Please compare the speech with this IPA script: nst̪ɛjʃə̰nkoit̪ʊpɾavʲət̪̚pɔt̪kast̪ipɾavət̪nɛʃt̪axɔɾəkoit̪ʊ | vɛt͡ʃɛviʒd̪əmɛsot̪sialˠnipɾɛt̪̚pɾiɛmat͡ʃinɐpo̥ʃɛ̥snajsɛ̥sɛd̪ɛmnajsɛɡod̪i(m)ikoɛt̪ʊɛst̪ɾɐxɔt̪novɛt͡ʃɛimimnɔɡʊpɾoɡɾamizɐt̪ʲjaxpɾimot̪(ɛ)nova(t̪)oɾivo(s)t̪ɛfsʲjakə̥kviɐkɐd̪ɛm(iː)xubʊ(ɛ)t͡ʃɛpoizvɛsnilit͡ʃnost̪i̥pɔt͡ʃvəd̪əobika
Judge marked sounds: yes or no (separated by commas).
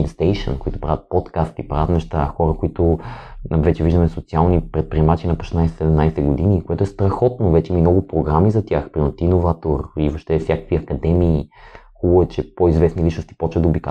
no, no, yes, no, yes, yes